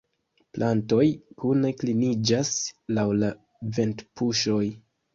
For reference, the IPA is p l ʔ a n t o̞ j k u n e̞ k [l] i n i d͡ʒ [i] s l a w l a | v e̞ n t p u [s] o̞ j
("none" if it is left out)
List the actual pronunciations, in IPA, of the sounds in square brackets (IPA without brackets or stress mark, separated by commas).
l, a, ʃ